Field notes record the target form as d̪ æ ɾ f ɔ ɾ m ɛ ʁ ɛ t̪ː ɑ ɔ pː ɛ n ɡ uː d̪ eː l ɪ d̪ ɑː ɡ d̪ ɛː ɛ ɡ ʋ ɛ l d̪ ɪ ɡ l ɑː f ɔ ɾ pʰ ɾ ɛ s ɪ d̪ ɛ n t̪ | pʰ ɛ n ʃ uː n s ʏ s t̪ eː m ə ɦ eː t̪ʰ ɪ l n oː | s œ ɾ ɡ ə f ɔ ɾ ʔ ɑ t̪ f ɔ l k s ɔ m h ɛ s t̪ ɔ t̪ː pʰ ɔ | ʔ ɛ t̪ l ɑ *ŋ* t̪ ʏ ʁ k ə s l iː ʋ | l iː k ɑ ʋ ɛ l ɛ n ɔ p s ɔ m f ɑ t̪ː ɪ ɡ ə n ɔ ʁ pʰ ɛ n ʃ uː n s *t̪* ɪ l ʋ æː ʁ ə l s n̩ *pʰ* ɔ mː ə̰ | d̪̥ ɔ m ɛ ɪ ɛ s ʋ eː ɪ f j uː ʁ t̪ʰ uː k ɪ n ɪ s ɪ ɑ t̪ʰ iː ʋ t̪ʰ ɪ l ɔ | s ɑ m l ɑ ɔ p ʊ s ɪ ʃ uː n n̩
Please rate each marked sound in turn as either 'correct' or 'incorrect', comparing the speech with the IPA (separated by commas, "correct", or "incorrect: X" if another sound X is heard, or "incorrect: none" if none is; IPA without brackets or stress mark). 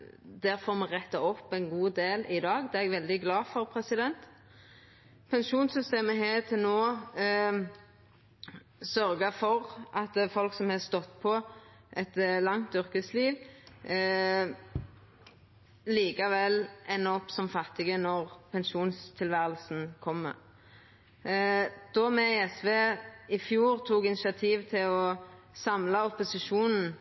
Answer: correct, incorrect: t̪ʰ, incorrect: kʰ